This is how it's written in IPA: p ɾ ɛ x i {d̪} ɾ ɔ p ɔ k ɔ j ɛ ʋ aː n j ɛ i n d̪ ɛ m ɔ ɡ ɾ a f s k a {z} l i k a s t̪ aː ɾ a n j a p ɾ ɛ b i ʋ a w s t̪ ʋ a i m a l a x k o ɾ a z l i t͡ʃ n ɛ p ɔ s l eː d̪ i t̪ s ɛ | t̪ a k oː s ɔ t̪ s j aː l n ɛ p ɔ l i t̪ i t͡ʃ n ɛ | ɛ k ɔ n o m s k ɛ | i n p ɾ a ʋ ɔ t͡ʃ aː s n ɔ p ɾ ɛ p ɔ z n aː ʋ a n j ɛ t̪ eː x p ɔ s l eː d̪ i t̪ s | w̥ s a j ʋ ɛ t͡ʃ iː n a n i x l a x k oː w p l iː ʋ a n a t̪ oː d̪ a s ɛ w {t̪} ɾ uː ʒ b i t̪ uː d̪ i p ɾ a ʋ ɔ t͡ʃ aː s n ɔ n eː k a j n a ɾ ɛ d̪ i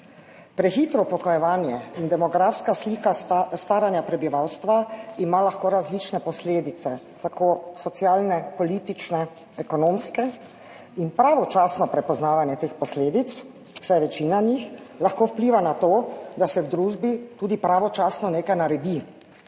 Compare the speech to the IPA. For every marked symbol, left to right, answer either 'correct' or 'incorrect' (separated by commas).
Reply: incorrect, incorrect, incorrect